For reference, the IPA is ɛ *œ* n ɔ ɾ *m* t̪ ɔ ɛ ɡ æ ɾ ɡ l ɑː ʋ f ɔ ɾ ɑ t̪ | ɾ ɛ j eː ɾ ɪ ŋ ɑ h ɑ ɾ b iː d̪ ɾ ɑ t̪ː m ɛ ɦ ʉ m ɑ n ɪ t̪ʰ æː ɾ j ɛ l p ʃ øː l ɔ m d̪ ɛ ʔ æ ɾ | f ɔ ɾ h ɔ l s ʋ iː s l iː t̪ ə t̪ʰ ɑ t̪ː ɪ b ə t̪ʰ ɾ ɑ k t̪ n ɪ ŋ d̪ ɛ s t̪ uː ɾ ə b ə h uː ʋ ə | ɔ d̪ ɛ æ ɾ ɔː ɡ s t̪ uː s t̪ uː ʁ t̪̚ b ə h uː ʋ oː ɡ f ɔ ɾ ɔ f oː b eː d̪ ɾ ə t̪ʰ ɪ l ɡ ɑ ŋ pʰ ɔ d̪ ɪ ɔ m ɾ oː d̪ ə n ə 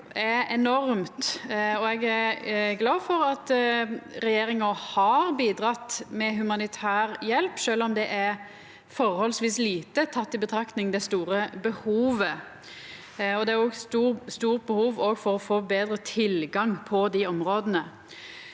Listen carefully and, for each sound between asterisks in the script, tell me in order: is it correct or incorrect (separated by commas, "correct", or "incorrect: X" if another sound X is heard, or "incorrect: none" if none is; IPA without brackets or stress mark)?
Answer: incorrect: ɛ, correct